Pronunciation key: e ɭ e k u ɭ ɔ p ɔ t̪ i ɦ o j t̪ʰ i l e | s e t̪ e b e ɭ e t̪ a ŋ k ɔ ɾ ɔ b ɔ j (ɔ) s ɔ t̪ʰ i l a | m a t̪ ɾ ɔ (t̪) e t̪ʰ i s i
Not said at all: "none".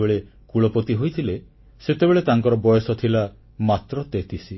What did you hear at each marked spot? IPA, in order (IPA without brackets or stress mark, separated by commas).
ɔ, t̪